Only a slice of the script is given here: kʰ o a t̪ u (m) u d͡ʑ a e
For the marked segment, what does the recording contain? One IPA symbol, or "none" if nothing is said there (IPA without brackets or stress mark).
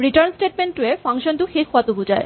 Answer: b